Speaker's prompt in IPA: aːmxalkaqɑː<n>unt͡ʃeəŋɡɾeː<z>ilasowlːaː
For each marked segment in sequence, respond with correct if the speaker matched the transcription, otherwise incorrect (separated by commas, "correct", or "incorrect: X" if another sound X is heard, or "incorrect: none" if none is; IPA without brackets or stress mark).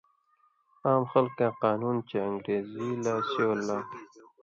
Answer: correct, correct